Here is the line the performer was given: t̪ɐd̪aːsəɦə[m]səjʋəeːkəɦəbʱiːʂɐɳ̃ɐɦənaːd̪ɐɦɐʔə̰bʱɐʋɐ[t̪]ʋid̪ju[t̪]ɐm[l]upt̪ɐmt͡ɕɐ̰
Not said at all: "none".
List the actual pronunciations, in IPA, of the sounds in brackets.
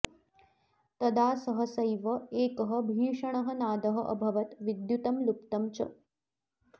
none, t̪, t̪, l

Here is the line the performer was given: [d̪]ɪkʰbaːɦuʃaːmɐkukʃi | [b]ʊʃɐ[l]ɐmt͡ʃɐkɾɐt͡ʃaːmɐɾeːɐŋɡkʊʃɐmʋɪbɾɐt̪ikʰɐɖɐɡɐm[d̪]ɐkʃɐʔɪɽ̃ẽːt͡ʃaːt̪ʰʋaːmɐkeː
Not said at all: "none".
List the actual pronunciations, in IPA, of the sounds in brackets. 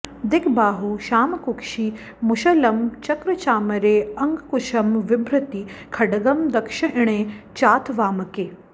d̪, m, l, d̪

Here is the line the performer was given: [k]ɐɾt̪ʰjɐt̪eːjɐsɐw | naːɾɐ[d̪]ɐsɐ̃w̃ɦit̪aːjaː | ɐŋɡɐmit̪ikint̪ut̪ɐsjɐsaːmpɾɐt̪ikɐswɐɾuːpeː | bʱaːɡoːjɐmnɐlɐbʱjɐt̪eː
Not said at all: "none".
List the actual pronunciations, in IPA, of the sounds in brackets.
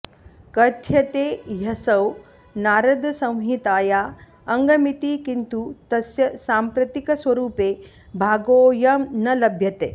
k, d̪

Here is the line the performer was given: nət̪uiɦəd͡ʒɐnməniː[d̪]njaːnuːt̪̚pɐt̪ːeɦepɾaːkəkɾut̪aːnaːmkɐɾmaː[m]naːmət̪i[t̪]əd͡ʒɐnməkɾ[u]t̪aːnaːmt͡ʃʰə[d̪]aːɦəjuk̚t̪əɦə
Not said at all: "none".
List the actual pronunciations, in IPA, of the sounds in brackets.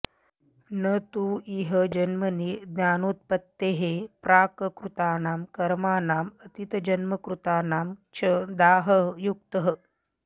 d̪, none, t̪, u, d̪

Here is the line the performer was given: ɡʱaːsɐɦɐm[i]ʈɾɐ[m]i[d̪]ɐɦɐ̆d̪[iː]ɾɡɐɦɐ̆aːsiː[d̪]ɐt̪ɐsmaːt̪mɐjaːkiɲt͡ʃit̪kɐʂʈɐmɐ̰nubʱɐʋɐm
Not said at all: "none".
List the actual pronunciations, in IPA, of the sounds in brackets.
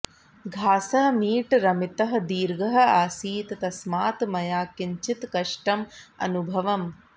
iː, m, t̪, iː, t̪

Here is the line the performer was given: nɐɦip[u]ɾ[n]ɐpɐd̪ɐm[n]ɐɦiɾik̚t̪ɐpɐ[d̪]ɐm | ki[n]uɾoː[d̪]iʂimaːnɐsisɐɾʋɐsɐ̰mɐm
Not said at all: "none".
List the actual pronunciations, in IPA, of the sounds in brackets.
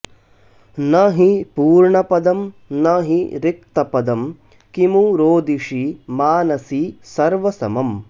uː, ɳ, n, d̪, m, d̪

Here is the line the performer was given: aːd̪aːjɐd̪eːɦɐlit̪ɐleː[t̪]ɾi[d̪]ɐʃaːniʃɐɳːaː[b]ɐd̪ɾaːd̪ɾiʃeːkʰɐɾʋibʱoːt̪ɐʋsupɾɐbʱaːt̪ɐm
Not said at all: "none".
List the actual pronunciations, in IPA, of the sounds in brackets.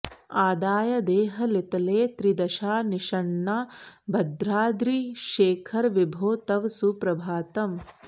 t̪, d̪, b

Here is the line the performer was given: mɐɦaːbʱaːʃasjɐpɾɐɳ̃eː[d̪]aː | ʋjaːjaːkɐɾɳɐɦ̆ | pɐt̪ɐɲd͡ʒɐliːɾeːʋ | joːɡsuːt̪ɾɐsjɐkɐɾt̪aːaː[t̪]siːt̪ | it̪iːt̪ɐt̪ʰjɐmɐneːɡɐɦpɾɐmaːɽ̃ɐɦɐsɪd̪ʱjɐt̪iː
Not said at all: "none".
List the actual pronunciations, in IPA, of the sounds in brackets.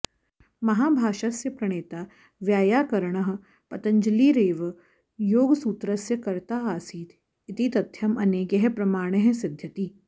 t̪, none

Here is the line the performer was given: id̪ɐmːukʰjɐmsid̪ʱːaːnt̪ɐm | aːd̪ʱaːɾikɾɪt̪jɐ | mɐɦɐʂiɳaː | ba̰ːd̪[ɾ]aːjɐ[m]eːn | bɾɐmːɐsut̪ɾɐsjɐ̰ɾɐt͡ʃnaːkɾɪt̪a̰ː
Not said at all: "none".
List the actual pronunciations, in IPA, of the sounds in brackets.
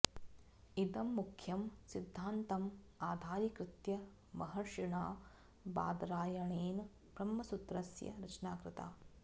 ɾ, ɳ

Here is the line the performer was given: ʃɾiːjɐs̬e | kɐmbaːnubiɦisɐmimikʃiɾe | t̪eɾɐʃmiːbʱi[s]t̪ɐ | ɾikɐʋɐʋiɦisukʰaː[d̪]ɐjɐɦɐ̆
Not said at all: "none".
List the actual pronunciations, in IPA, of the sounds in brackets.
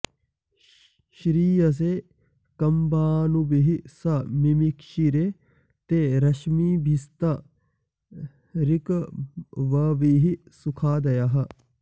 s, d̪

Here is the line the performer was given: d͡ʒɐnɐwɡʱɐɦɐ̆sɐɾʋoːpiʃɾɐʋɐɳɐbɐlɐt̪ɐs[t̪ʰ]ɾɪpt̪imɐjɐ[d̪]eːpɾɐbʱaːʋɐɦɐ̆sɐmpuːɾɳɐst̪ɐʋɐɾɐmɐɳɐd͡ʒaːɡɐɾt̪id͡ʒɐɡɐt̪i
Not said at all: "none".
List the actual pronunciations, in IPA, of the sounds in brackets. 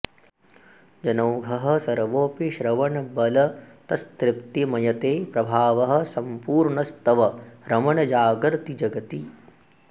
t̪, t̪

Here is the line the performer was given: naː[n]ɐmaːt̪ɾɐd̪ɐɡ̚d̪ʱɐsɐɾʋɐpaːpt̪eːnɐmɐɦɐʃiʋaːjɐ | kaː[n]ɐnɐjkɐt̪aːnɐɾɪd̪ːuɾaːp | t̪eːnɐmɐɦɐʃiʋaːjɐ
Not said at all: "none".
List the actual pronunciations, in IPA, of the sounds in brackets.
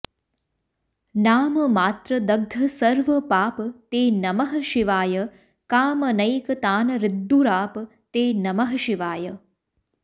m, m

